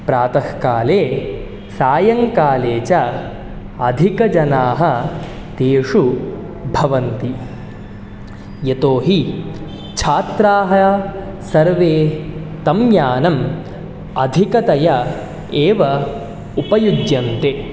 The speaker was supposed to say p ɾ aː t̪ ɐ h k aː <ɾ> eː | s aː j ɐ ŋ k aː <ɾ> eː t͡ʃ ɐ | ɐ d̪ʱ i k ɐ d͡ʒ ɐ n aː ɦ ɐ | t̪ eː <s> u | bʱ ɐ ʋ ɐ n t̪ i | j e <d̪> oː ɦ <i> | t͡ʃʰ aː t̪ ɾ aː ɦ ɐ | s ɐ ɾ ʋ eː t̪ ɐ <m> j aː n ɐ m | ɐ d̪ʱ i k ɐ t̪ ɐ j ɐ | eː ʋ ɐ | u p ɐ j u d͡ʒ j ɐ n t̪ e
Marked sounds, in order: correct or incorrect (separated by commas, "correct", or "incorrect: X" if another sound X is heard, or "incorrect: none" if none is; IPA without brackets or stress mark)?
incorrect: l, incorrect: l, incorrect: ʂ, incorrect: t̪, correct, correct